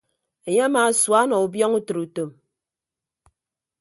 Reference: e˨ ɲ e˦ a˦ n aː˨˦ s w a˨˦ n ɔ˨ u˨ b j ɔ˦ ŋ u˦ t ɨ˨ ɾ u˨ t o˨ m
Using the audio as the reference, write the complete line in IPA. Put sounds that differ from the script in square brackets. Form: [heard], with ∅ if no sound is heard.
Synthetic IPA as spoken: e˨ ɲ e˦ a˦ [m] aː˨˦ s w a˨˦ n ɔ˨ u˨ b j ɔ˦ ŋ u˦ t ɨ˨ ɾ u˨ t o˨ m